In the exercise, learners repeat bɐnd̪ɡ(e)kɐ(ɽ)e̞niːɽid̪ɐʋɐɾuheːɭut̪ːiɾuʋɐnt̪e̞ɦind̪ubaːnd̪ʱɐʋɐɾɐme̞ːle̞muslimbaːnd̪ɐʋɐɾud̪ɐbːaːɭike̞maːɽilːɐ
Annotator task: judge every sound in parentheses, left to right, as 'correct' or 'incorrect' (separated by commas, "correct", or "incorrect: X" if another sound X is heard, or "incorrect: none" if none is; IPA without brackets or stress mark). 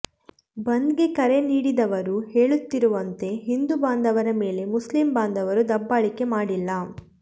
correct, incorrect: ɾ